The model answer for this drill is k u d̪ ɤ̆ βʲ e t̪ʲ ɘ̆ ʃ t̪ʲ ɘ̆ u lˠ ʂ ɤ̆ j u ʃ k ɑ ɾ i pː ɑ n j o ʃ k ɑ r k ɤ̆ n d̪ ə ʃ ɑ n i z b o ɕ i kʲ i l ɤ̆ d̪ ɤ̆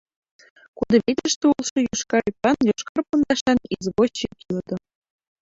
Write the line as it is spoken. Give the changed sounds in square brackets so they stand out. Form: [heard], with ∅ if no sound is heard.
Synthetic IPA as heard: k u d̪ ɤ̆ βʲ e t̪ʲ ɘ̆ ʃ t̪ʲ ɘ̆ u lˠ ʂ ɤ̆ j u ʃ k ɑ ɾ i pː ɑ n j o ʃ k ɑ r [p] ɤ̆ n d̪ [ɑ] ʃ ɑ n i z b o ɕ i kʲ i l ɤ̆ d̪ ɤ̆